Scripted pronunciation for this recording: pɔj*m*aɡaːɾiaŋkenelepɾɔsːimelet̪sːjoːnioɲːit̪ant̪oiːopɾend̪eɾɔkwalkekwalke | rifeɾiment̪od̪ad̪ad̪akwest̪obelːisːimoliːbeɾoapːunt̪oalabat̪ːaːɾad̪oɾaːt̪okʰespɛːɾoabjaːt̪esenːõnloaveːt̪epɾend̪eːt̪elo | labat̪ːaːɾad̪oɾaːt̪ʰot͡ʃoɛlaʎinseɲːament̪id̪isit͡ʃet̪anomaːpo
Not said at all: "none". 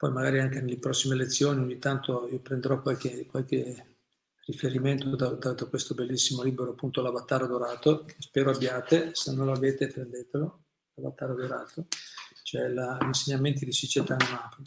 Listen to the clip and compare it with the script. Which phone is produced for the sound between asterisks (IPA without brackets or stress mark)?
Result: m